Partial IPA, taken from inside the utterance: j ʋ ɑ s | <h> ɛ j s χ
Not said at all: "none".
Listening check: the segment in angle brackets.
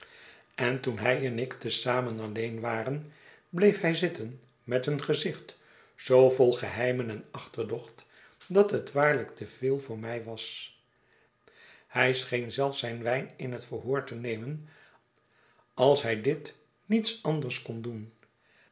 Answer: h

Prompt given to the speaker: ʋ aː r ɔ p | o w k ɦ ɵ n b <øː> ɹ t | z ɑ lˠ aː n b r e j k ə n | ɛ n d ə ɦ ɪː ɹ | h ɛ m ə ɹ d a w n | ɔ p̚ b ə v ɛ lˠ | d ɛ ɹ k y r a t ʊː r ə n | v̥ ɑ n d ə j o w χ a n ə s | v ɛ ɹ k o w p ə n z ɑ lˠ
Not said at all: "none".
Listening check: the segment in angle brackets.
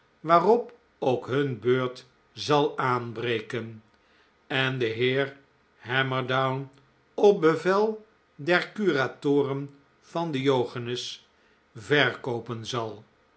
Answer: øː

